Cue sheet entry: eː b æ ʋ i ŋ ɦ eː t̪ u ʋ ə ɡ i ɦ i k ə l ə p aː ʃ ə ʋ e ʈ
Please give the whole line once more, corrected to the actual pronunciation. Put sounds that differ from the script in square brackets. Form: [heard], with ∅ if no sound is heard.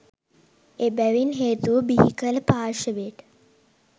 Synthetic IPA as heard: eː b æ ʋ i [n] ɦ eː t̪ u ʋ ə [b] i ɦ i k ə l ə p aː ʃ ə ʋ e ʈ